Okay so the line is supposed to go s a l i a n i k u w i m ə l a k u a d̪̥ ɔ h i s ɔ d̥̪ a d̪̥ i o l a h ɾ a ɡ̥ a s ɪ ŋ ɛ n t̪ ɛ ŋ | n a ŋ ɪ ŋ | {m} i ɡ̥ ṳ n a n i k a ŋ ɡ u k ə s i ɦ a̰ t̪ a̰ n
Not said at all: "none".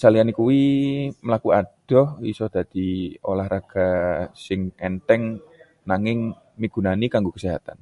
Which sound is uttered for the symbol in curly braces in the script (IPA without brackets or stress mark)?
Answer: m